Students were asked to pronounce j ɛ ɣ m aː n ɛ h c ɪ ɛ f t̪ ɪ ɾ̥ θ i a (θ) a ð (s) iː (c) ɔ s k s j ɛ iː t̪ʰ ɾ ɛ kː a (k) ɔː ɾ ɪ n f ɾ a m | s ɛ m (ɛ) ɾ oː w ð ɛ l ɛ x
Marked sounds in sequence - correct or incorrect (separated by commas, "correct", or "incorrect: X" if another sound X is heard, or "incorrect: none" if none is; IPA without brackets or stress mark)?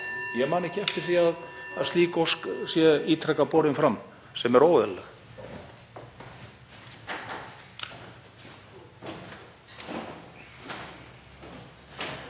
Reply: incorrect: ð, correct, incorrect: k, incorrect: p, correct